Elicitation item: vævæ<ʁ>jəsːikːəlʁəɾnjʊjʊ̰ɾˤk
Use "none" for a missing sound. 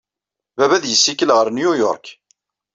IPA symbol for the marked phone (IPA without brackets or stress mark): ð